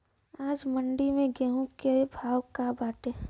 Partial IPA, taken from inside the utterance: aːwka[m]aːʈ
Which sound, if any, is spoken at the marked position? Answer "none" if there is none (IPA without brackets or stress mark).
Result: b